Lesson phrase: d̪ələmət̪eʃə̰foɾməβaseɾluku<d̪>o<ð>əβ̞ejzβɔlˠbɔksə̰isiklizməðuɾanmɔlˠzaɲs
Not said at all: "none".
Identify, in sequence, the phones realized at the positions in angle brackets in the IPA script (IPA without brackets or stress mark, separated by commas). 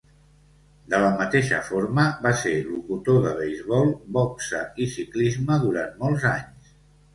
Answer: t̪, ð